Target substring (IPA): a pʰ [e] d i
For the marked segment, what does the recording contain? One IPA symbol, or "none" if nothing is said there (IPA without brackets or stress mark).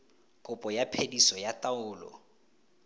e